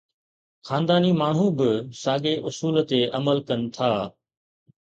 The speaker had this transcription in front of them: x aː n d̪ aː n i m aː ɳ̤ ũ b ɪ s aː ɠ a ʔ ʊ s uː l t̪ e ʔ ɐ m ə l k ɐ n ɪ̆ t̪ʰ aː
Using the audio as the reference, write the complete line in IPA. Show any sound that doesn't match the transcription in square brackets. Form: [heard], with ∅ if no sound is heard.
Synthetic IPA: x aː n d̪ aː n i m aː ɳ̤ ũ b ɪ s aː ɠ [e] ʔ ʊ s uː l t̪ e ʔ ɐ m ə l k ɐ n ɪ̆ t̪ʰ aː